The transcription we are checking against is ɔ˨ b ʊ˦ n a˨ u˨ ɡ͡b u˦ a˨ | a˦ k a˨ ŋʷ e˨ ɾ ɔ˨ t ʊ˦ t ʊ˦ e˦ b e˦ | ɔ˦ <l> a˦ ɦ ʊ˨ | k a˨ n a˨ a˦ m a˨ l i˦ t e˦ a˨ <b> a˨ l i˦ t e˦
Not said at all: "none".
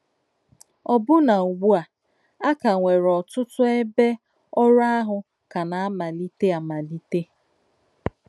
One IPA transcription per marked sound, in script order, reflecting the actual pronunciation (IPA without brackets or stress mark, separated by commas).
ɾ, m